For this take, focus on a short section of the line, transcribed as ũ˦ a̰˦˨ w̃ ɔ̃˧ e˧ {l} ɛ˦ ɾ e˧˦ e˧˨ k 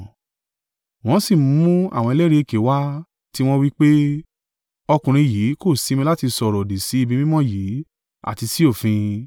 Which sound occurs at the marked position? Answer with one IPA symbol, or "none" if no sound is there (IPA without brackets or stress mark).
l